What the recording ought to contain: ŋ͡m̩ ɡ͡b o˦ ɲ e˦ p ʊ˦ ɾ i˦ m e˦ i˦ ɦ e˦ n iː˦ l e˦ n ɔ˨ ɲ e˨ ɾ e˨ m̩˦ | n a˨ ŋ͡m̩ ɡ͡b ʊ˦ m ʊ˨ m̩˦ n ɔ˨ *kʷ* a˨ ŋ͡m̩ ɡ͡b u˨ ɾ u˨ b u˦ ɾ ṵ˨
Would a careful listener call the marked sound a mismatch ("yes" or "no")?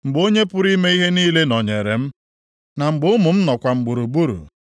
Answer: no